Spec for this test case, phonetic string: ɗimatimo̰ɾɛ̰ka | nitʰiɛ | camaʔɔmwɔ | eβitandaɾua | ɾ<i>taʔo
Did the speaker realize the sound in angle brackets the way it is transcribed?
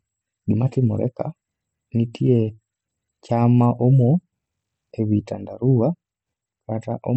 no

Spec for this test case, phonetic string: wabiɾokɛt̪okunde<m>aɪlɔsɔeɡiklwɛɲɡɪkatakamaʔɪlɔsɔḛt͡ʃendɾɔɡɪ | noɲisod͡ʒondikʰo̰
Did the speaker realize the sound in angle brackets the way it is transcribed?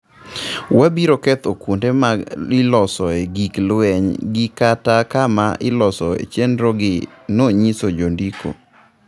yes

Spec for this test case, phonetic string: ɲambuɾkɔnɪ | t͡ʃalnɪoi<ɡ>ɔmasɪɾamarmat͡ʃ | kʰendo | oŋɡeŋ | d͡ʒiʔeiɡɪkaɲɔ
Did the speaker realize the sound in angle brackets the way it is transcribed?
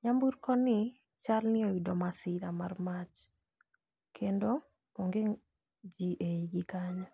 no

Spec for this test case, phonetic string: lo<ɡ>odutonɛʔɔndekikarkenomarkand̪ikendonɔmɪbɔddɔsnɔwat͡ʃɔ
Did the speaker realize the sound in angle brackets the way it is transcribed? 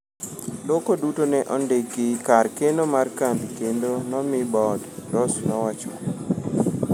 no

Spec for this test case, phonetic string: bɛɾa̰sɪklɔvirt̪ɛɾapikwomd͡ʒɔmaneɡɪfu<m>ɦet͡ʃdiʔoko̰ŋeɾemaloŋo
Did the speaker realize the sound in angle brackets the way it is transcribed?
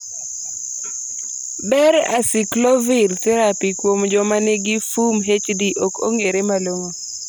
yes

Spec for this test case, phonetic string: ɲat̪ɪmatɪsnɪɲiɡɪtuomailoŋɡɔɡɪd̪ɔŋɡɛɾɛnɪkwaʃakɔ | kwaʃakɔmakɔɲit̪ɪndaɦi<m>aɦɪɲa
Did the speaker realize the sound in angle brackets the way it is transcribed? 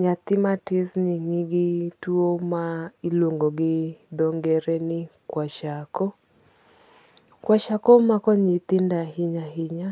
no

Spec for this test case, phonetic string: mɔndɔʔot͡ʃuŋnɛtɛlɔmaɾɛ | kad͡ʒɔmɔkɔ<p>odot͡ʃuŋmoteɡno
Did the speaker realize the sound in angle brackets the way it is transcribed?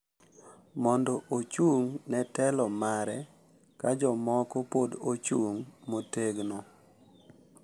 yes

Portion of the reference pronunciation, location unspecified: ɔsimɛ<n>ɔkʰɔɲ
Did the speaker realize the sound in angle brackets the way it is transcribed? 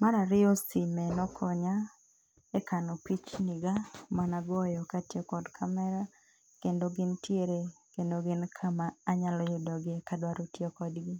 yes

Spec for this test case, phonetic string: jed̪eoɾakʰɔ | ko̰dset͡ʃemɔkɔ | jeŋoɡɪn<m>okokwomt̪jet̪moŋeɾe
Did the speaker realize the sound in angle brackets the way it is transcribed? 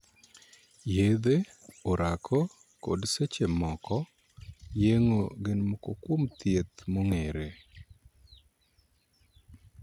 yes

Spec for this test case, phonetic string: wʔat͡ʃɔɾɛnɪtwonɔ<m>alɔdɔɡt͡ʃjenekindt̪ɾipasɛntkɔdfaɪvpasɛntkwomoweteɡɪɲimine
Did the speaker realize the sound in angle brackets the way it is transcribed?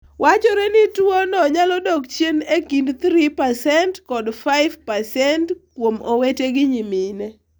no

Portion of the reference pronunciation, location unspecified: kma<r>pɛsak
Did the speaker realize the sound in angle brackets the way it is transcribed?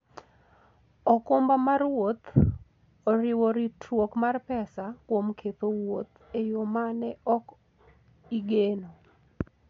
yes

